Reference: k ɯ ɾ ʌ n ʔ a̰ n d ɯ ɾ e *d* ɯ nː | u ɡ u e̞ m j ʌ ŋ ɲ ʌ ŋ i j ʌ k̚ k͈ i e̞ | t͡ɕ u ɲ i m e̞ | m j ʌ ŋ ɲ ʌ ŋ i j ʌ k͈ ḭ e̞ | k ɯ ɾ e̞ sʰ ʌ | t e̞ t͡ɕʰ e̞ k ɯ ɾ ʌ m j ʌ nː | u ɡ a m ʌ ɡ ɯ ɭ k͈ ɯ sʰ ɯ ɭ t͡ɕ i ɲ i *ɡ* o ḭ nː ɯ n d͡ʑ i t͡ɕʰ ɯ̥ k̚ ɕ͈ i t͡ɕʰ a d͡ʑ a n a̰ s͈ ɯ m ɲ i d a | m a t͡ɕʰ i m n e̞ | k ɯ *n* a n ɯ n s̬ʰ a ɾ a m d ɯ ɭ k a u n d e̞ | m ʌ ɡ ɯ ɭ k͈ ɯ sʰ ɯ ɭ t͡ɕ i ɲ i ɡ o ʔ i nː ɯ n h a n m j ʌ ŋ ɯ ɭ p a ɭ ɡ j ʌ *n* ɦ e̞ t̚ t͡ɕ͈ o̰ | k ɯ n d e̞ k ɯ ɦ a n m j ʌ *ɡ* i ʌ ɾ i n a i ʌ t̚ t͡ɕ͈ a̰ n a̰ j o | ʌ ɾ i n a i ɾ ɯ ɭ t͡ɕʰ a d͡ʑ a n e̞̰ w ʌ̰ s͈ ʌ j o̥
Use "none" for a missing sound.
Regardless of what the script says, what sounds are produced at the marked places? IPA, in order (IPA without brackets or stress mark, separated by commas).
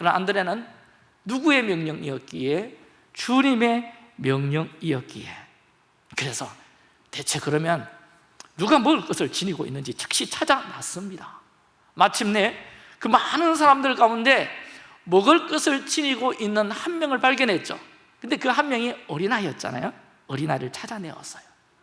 n, ɡ, m, n, ŋ